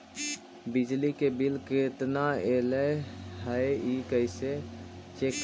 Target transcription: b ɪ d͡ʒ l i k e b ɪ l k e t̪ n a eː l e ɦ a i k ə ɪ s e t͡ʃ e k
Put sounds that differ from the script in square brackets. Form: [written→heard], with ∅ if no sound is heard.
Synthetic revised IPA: b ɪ d͡ʒ l i k e b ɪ l k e t̪ n a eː l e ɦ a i k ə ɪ s e t͡ʃ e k

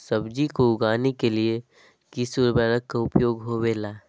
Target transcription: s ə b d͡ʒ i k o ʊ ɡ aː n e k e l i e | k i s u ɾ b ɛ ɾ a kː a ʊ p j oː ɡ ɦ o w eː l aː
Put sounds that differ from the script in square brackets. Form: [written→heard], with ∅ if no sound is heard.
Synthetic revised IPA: s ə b d͡ʒ i k o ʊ ɡ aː n e k e l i e | k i s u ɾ b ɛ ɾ [a→ə] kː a ʊ p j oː ɡ ɦ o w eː l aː

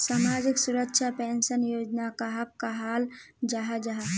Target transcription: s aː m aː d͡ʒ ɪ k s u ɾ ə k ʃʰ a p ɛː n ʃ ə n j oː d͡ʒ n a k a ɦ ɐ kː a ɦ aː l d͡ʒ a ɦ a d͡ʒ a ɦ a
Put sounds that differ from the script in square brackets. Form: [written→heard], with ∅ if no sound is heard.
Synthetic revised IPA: s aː m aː d͡ʒ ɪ k s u ɾ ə k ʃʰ a p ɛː n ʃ ə n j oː d͡ʒ n a k a ɦ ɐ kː a ɦ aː l d͡ʒ a ɦ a d͡ʒ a ɦ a

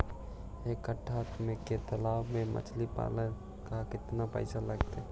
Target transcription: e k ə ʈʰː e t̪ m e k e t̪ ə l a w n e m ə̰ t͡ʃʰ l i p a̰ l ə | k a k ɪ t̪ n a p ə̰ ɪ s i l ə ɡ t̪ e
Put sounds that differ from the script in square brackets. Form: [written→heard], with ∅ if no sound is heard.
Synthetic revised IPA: e k ə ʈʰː [e→a] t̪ m e k e t̪ ə l a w [n→m] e m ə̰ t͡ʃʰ l i p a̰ l ə | k a k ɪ t̪ n a p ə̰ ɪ s [i→a] l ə ɡ t̪ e

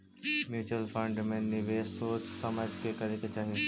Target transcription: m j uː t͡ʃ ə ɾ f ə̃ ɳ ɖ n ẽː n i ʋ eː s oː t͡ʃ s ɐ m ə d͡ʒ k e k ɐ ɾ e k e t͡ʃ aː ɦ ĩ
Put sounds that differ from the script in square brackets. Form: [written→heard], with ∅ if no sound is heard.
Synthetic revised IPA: m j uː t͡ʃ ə [ɾ→l] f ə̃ ɳ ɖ [n→m] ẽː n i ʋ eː s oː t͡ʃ s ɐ m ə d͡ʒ k e k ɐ ɾ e k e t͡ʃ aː ɦ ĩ

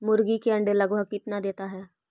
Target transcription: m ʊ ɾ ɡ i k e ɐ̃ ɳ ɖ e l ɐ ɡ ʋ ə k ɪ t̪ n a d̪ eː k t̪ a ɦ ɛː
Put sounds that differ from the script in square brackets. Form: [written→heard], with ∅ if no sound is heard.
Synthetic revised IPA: m ʊ ɾ ɡ i k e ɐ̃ ɳ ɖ e l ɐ ɡ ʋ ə k ɪ t̪ n a d̪ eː [k→∅] t̪ a ɦ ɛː

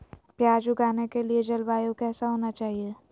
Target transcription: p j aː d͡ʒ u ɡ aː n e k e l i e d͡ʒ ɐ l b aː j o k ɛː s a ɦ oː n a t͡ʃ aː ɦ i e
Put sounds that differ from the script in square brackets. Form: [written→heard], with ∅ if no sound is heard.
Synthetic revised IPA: p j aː d͡ʒ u ɡ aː n e k e l i e d͡ʒ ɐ l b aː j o k ɛː s a ɦ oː n a t͡ʃ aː ɦ i e

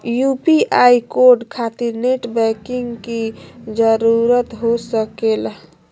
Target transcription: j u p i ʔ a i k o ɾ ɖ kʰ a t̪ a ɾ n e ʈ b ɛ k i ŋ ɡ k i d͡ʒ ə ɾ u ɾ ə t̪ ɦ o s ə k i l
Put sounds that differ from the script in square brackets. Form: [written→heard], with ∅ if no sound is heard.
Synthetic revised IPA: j u p i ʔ a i k o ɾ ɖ kʰ a t̪ [a→i] ɾ n e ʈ b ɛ k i ŋ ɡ k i d͡ʒ ə ɾ u ɾ ə t̪ ɦ o s ə k [i→e] l

